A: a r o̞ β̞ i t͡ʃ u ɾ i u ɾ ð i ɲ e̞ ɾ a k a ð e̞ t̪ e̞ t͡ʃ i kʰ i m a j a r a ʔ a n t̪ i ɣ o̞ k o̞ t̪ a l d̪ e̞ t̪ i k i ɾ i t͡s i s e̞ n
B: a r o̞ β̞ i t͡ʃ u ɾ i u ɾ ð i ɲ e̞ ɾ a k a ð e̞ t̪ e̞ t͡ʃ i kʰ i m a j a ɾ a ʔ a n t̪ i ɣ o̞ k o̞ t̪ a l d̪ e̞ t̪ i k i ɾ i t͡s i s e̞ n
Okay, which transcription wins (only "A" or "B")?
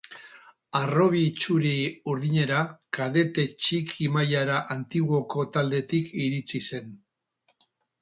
B